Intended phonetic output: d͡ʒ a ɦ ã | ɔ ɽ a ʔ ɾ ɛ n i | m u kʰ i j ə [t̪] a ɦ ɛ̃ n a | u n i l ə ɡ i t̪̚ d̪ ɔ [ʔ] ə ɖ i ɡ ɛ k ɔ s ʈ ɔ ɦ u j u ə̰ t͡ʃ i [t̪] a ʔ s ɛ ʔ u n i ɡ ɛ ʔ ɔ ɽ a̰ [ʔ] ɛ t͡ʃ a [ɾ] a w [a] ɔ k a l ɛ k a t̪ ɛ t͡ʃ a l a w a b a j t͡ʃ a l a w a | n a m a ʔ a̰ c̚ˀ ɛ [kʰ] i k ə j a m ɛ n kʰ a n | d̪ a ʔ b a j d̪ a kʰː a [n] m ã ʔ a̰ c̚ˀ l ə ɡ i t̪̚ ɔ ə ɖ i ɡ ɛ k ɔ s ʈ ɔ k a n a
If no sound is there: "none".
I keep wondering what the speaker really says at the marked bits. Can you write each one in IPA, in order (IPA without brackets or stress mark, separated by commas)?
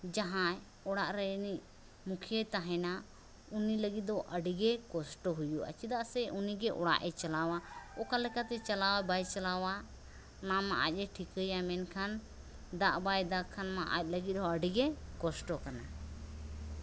t̪, ʔ, d̪, ʔ, l, a, ʈʰ, n